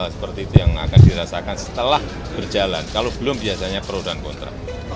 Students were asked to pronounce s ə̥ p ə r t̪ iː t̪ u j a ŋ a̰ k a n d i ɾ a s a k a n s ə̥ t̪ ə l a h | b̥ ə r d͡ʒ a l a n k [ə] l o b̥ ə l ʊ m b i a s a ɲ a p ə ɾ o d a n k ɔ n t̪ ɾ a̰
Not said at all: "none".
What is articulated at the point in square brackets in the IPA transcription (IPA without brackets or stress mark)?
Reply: a